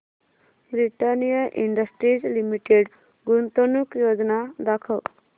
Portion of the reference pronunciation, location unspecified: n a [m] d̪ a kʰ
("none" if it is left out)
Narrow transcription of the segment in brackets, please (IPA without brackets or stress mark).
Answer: none